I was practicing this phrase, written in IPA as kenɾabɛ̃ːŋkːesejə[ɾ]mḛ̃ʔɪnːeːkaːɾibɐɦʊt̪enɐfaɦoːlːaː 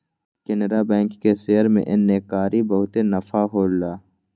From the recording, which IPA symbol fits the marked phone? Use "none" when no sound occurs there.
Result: ɾ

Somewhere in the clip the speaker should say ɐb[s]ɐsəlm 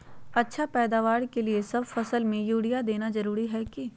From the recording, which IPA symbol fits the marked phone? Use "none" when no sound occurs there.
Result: f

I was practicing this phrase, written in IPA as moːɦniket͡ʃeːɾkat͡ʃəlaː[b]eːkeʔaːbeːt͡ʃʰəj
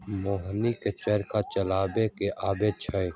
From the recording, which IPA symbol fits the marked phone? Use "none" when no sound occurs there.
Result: b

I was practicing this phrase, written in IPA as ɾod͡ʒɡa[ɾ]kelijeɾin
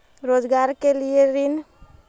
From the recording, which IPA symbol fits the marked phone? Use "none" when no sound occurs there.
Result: ɾ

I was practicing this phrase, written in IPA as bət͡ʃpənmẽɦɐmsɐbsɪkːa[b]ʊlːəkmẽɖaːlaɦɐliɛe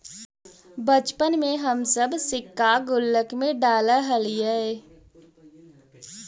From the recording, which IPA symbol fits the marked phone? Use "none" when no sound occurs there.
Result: ɡ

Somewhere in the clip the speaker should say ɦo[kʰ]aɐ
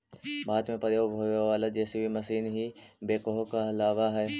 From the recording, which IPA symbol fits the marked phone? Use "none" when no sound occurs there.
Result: k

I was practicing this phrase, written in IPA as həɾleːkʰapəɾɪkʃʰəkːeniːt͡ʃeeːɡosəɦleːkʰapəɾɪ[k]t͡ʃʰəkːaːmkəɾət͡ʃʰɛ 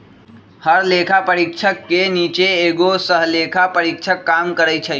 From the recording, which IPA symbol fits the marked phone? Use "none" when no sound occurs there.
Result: k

